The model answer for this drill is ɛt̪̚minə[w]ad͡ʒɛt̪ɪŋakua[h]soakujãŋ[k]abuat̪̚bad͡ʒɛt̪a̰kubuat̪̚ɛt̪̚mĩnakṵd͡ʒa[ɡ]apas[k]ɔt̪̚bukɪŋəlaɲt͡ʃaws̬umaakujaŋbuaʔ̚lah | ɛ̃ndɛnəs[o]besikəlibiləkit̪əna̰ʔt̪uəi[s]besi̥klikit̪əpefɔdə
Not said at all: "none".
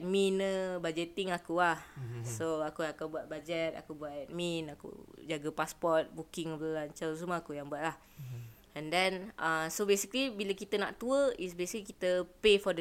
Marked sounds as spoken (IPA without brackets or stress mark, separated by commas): b, h, k, ɡ, p, o, s